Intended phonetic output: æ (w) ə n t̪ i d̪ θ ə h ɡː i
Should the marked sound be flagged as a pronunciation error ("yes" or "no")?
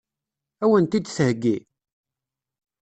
no